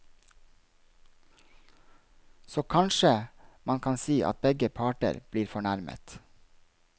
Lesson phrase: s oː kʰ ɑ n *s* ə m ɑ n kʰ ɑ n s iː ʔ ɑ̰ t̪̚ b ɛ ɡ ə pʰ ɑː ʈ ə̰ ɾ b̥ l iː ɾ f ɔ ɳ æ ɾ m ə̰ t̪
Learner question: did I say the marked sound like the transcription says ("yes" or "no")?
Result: no